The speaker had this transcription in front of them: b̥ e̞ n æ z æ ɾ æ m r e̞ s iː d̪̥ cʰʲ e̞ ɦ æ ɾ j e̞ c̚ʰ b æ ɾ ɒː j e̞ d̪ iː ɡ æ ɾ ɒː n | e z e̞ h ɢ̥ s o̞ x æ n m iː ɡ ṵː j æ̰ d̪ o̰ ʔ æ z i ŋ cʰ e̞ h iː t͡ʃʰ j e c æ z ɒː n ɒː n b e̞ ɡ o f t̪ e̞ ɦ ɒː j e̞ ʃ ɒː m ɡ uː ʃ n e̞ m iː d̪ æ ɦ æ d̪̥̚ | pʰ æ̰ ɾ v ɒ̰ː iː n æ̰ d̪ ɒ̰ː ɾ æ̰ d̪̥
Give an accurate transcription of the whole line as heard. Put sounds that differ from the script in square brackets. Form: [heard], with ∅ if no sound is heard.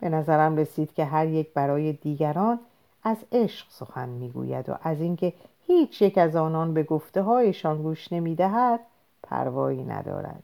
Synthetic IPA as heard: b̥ e̞ n æ z æ ɾ æ m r e̞ s iː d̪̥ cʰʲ e̞ ɦ æ ɾ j e̞ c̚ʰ b æ ɾ ɒː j e̞ d̪ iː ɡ æ ɾ ɒː n | [æ] z e̞ [ʃ] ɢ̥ s o̞ x æ n m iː ɡ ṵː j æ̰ d̪ o̰ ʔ æ z i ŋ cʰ e̞ h iː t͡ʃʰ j e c æ z ɒː n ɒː n b e̞ ɡ o f t̪ e̞ ɦ ɒː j e̞ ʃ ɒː [n] ɡ uː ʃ n e̞ m iː d̪ æ ɦ æ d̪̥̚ | pʰ æ̰ ɾ v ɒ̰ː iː n æ̰ d̪ ɒ̰ː ɾ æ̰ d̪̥